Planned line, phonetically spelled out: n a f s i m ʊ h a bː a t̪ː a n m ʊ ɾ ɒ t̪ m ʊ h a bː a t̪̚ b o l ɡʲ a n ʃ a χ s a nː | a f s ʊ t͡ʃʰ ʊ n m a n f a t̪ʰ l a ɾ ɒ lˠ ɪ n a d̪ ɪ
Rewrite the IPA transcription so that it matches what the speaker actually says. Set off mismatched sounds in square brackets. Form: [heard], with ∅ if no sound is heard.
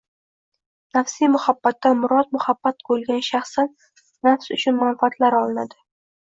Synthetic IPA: n a f s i m ʊ h a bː a t̪ː a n m ʊ ɾ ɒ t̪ m ʊ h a bː a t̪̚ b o l ɡʲ a n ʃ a χ s a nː | a f s ʊ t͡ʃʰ ʊ n m a n f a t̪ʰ l a ɾ ɒ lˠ ɪ n a d̪ ɪ